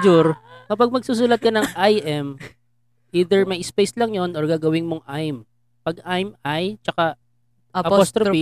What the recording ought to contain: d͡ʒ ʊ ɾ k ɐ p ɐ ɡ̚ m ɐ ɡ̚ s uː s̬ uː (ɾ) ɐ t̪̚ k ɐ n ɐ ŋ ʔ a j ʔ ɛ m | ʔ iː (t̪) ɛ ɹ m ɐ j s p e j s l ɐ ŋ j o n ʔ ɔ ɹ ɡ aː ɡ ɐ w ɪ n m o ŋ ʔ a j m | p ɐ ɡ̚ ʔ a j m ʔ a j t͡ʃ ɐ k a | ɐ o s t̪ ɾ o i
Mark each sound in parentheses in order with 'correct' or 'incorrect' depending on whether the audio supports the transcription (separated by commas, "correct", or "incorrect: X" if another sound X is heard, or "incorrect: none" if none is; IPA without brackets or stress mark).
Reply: incorrect: l, incorrect: d̪